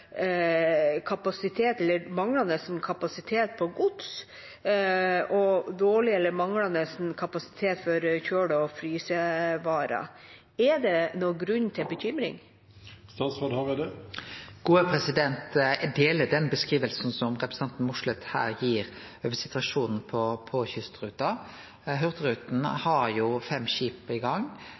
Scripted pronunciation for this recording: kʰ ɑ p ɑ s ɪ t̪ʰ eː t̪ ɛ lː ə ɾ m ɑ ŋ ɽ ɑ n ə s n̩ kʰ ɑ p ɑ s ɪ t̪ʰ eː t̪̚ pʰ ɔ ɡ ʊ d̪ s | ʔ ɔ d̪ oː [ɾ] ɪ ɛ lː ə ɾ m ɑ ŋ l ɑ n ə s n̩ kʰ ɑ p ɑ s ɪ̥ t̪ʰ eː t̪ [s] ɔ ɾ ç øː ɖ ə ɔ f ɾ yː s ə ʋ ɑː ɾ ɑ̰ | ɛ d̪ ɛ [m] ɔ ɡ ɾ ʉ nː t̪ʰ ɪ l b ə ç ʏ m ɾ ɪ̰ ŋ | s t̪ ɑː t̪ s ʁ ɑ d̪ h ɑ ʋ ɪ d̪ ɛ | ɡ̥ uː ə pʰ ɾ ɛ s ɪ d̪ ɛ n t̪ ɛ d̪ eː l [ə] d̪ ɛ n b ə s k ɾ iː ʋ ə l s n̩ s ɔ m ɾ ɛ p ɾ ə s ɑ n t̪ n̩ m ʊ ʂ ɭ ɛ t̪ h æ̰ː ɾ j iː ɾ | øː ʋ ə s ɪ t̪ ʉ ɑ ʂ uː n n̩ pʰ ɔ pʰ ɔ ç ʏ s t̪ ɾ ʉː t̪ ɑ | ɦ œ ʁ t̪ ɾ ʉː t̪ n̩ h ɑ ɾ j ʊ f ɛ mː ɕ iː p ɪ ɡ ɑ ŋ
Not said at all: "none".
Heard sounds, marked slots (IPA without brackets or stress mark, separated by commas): ɭ, f, n, ə